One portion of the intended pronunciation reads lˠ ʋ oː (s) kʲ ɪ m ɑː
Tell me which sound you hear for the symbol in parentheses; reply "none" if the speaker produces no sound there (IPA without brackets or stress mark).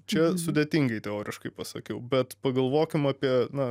none